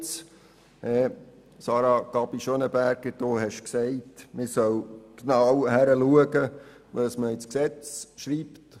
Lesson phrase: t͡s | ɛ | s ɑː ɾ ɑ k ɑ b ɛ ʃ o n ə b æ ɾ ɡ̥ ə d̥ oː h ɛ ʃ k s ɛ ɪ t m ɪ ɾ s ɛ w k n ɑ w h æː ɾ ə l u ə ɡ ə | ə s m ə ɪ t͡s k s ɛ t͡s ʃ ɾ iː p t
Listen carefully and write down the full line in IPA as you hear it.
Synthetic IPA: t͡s | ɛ | s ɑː ɾ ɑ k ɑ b i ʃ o n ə b æ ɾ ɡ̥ ə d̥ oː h ɛ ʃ k s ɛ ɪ t m ɪ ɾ s œ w k n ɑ w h æ ɾ ə l u ə ɡ ə | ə s m ə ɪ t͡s k s ɛ t͡s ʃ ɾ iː p t